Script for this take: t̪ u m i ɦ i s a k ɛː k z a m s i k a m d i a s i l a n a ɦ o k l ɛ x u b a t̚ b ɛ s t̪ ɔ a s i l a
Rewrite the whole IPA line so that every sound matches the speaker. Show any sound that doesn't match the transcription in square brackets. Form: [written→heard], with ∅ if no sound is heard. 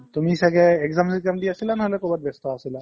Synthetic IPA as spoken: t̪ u m i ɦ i s a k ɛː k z a m s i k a m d i a s i l a n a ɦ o [k→∅] l ɛ [x→k] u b a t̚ b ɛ s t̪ ɔ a s i l a